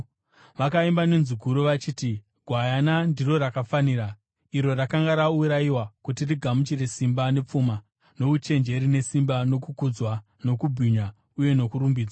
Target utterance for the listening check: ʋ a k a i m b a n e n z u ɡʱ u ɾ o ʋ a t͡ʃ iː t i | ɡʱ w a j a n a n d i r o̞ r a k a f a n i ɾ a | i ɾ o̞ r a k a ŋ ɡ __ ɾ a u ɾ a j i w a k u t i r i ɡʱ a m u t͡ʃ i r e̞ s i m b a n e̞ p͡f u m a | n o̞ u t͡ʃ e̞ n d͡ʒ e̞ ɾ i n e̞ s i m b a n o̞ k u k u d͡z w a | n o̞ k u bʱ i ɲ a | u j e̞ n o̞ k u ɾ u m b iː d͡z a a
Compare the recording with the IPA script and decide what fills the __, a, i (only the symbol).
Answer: a